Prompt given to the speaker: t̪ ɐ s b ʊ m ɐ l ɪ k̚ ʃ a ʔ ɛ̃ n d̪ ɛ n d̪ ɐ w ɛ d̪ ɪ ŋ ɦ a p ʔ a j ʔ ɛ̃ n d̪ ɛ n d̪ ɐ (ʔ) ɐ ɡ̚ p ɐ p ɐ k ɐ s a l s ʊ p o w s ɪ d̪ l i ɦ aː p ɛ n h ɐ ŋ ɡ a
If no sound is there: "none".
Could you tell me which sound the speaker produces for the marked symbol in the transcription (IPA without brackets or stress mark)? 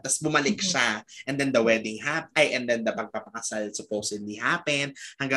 p